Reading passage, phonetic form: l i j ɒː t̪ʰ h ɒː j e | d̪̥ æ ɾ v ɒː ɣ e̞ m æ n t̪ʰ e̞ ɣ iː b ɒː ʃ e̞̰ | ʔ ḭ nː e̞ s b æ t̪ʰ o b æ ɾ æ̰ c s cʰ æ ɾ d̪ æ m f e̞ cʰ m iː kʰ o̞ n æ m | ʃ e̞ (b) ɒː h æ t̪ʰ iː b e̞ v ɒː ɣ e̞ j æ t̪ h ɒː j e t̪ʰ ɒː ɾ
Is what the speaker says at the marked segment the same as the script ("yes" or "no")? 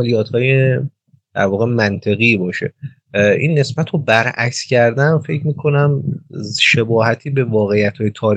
yes